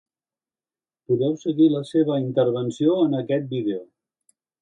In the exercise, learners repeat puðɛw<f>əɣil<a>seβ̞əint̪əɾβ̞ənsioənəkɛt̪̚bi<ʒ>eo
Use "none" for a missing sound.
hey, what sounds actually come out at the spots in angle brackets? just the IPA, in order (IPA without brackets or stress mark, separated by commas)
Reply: s, ə, ð